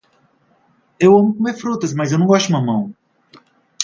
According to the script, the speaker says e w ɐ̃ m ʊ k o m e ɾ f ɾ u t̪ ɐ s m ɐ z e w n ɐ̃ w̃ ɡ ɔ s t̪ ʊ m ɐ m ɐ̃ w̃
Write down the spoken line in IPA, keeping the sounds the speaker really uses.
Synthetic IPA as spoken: e w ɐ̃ m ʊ k o m e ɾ f ɾ u t̪ ɐ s m ɐ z e w n ɐ̃ w̃ ɡ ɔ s t̪ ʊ m ɐ m ɐ̃ w̃